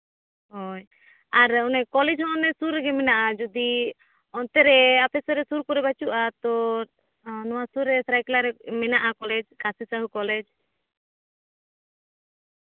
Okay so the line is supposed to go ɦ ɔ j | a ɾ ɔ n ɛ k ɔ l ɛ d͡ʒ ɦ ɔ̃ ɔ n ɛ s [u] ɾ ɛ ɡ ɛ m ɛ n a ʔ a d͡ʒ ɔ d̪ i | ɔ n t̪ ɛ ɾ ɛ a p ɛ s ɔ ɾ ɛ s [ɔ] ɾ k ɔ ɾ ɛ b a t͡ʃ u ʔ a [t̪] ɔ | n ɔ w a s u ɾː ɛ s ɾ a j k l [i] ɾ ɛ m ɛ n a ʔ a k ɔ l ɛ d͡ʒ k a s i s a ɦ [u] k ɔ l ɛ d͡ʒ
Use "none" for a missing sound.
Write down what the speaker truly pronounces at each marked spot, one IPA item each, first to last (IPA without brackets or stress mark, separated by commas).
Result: u, u, t̪, a, u